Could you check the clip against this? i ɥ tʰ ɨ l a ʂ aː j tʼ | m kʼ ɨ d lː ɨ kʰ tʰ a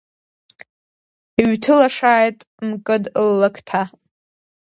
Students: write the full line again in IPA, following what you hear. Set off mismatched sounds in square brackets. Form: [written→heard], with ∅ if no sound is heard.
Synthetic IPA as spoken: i ɥ tʰ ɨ l a ʂ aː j tʼ | m kʼ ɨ d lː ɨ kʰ tʰ a